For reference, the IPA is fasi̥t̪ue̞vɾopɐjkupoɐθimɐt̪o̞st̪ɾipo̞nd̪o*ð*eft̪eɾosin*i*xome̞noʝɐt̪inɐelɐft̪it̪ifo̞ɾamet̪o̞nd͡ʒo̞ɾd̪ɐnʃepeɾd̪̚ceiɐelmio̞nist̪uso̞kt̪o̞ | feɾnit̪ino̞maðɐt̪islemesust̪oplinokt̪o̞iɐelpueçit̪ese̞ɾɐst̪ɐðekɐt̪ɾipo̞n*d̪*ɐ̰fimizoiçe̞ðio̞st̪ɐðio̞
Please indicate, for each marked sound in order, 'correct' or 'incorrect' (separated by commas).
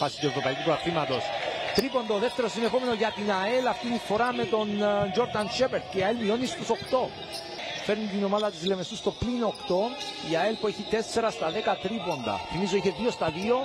correct, incorrect, correct